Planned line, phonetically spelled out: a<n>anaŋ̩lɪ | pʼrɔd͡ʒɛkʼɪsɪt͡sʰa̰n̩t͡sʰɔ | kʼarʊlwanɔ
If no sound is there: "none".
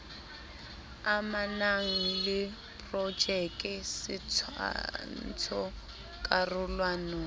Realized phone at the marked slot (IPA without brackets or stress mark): m